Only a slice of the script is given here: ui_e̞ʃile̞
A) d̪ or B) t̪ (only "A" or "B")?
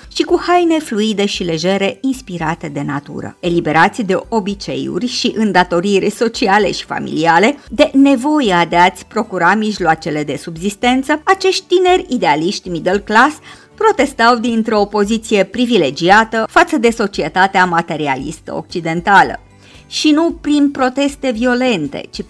A